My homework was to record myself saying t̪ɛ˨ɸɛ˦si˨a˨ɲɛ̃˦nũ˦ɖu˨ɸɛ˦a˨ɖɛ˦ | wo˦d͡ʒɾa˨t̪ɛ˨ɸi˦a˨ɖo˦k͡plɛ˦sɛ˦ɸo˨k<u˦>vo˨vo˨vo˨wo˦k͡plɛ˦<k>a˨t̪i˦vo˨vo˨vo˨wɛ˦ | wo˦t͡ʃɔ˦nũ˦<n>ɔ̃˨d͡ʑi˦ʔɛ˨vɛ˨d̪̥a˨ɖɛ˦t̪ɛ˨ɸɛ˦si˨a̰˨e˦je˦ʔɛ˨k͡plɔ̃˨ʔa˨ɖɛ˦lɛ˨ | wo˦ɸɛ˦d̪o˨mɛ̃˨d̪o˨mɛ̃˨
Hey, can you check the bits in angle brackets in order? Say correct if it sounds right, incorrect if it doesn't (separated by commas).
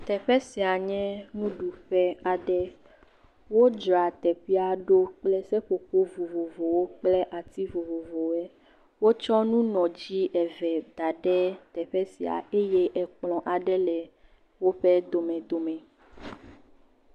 incorrect, incorrect, correct